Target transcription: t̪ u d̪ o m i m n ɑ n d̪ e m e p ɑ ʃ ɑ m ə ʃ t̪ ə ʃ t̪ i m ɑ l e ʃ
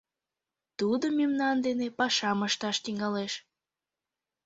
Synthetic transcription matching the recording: t̪ u d̪ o m i m n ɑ n d̪ e n e p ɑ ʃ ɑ m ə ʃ t̪ ɑ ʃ t̪ i ŋ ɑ l e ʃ

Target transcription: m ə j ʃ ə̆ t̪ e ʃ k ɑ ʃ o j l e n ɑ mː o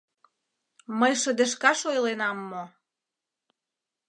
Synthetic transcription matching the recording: m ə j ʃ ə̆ d̪ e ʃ k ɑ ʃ o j l e n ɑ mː o

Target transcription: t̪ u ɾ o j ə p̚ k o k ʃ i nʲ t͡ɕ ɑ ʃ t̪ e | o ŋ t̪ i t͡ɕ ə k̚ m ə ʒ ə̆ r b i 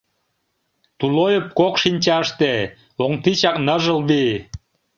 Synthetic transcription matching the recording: t̪ u l o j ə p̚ k o k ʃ i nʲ t͡ɕ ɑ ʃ t̪ e | o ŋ t̪ i t͡ɕ ɑ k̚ n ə ʒ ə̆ l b i

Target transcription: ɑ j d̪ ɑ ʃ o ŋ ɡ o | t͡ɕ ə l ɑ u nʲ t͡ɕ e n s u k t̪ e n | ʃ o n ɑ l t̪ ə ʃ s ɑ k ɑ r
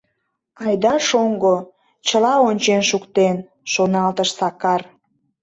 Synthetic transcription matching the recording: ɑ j d̪ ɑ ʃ o ŋ ɡ o | t͡ɕ ə l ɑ o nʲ t͡ɕ e n ʃ u k t̪ e n | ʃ o n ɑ l t̪ ə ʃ s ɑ k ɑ r

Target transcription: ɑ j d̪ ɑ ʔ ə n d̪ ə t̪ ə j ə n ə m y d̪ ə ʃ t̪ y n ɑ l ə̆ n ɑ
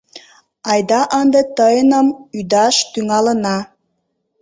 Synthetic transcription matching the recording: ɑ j d̪ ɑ ʔ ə n d̪ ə t̪ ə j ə n ə m y d̪ ɑ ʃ t̪ y ŋ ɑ l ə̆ n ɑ

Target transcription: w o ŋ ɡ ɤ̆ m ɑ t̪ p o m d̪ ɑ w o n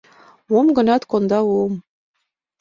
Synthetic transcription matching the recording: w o m ɡ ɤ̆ n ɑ t̪ k o n d̪ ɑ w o m

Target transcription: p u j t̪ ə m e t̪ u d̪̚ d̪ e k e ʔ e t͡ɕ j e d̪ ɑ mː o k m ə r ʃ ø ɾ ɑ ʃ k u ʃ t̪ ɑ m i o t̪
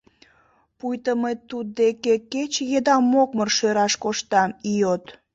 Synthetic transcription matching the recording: p u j t̪ ə m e t̪ u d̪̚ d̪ e k e k e t͡ɕ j e d̪ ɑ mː o k m ə r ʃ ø ɾ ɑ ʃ k o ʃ t̪ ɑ m i o t̪

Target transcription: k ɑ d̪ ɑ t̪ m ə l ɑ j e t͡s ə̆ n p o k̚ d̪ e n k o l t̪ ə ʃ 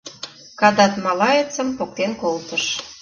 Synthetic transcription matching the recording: k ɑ d̪ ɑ t̪ m ɑ l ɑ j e t͡s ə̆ m p o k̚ t̪ e n k o l t̪ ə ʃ

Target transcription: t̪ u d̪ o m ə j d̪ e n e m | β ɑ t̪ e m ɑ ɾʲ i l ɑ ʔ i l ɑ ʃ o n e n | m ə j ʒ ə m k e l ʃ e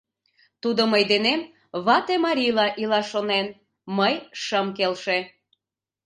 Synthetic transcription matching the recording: t̪ u d̪ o m ə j d̪ e n e m | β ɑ t̪ e m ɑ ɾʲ i l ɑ ʔ i l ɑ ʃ o n e n | m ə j ʃ ə m k e l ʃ e

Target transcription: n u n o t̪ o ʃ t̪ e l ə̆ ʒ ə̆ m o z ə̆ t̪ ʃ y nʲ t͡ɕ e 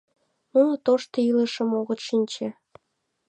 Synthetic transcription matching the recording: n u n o t̪ o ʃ t̪ i l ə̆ ʃ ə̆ m o ɣ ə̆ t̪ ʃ i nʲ t͡ɕ e

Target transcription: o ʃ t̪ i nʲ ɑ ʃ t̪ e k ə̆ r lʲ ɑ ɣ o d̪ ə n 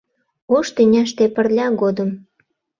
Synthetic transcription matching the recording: o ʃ t̪ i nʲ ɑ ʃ t̪ e p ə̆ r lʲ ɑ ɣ o d̪ ə m

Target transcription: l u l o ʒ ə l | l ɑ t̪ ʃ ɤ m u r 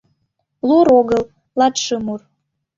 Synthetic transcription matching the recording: l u ɾ o ɣ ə l | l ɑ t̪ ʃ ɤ m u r

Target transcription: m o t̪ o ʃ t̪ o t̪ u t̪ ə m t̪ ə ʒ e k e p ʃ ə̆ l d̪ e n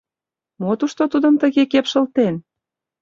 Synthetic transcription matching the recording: m o t̪ u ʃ t̪ o t̪ u d̪ ə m t̪ ə ɣ e k e p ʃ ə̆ l t̪ e n

